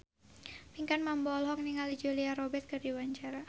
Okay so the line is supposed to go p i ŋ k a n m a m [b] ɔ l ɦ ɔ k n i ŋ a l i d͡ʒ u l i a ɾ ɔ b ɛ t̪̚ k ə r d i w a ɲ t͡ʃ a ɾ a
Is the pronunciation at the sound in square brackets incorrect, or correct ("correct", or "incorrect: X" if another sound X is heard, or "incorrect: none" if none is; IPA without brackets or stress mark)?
correct